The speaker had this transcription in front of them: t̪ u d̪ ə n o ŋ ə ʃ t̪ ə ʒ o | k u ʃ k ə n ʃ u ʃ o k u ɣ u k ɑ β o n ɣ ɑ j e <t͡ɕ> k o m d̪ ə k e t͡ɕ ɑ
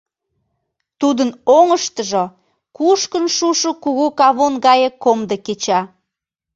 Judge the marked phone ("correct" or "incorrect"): incorrect